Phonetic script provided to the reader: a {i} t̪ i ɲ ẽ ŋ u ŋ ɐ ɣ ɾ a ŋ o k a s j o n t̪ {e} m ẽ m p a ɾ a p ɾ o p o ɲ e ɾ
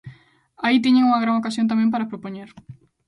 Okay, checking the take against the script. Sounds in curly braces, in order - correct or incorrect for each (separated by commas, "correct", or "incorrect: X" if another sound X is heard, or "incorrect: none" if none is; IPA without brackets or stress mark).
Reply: correct, incorrect: a